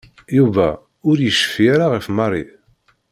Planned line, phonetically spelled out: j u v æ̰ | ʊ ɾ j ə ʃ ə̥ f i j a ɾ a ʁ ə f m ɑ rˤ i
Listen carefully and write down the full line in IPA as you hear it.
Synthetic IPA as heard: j u v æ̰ | ʊ ɾ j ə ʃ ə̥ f i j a ɾ a ʁ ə f m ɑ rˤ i